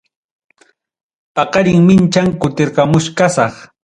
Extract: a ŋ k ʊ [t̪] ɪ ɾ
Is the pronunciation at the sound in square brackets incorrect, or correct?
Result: correct